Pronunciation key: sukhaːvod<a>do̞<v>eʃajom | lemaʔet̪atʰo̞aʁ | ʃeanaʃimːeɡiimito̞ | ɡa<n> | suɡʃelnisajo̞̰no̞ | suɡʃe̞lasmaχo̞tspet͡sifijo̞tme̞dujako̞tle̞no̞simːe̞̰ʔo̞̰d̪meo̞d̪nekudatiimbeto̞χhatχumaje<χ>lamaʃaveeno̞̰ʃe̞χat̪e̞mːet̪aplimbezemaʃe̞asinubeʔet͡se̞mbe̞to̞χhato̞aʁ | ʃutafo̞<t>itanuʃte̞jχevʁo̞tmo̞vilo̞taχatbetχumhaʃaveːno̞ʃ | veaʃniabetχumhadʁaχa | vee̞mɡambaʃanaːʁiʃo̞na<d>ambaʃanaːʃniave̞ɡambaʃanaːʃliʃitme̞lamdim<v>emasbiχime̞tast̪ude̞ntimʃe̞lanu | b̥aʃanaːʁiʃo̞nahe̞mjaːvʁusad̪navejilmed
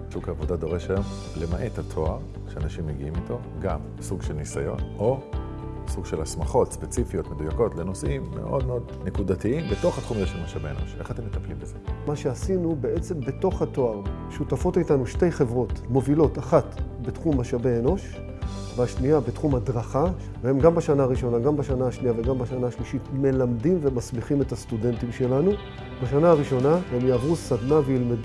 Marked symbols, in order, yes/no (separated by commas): yes, no, no, no, yes, no, yes